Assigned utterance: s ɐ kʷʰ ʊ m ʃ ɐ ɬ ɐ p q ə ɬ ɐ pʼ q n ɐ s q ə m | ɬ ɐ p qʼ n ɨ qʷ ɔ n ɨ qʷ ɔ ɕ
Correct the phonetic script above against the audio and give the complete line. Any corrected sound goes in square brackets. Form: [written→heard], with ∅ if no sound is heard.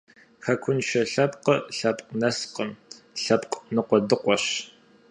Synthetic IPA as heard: [s→x] ɐ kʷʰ ʊ [m→n] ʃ ɐ ɬ ɐ p q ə ɬ ɐ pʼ q n ɐ s q ə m | ɬ ɐ p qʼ n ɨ qʷ ɔ [n→d] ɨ qʷ ɔ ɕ